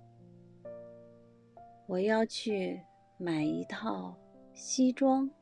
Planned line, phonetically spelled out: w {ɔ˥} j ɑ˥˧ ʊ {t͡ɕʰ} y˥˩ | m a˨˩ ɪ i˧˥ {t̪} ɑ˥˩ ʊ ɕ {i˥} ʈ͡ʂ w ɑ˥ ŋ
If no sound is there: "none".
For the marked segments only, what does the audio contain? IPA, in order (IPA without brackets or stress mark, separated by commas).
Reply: ɔ˨˩, t͡ɕʰ, t̪ʰ, i˥